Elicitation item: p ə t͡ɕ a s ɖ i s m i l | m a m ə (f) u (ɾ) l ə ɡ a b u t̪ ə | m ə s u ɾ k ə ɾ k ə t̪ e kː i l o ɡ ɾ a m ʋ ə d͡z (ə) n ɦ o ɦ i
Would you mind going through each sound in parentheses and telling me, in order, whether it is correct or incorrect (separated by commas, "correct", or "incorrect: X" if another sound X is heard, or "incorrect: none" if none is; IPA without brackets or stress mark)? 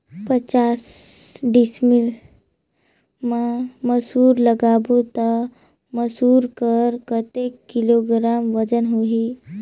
incorrect: s, correct, correct